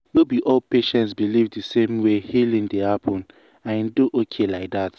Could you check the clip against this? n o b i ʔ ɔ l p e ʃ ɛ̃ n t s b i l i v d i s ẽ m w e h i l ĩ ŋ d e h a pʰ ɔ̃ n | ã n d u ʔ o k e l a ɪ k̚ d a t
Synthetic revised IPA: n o b i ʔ ɔ l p e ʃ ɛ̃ n t s b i l i v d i s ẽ m w e h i l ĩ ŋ d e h a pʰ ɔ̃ n | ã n d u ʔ o kʰ e l a ɪ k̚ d a t